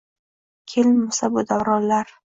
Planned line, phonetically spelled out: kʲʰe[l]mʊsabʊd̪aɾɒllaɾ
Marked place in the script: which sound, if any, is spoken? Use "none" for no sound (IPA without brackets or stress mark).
l